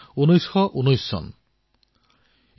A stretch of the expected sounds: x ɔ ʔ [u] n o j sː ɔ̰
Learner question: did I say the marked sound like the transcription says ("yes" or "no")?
yes